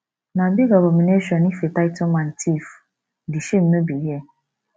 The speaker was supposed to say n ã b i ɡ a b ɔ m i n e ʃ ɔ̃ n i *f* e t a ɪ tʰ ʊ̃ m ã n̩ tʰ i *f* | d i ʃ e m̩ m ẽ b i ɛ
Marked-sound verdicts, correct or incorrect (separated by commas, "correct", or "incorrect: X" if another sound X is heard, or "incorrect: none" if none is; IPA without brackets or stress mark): correct, correct